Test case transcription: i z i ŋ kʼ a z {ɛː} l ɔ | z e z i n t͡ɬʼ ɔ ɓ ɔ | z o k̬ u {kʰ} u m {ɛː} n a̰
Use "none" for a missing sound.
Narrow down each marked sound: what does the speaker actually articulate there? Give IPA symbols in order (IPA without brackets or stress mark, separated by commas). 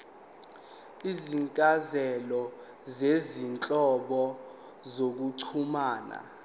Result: ɛ, ǀʰ, aː